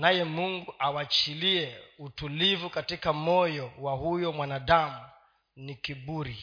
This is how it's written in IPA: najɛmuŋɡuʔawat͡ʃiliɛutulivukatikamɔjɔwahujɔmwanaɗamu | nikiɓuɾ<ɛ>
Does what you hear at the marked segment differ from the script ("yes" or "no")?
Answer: yes